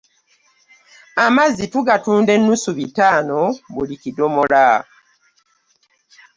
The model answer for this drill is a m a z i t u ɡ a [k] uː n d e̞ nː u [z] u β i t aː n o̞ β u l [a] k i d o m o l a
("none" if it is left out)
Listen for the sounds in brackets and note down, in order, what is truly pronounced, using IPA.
t, s, i

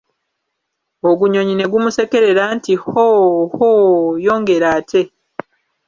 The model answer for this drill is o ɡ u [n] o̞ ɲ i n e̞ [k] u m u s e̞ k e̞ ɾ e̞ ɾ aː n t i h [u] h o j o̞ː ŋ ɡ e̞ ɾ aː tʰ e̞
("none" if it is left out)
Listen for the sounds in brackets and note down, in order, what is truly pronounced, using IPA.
ɲ, ɡ, o

